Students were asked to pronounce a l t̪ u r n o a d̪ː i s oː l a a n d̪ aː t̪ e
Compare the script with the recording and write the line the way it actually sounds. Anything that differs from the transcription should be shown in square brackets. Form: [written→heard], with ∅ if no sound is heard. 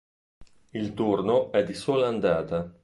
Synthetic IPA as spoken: [a→i] l t̪ u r n o [a→ɛ] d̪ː i s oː l a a n d̪ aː t̪ [e→a]